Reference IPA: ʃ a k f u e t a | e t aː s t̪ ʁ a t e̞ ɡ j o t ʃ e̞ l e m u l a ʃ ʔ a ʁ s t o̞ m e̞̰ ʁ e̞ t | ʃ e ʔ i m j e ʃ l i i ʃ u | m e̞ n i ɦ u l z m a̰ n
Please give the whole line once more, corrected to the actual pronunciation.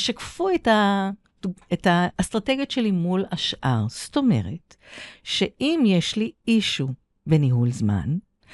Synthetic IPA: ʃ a k f u e t a | e t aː s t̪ ʁ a t e̞ ɡ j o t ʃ e̞ l i m u l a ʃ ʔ a ʁ s t o̞ m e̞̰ ʁ e̞ t | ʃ e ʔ i m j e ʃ l i i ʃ u | b e̞ n i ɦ u l z m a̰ n